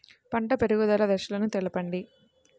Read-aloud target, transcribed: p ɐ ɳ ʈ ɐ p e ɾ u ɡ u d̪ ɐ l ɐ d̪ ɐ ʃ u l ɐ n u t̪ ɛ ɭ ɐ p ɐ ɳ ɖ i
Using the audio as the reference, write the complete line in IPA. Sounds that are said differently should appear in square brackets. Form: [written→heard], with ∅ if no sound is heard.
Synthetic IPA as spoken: p ɐ ɳ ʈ ɐ p e ɾ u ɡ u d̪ ɐ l ɐ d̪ ɐ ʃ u l ɐ n u t̪ ɛ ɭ ɐ p ɐ ɳ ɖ i